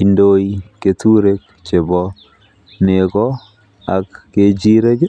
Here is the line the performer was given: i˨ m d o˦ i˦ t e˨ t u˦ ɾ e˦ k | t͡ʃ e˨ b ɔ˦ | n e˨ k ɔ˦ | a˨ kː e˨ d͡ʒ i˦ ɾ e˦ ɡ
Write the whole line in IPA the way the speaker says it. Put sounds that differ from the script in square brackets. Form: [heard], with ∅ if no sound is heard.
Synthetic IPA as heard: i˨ [n] d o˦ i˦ [k] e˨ t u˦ ɾ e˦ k | t͡ʃ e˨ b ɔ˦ | n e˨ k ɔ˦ | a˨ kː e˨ d͡ʒ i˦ ɾ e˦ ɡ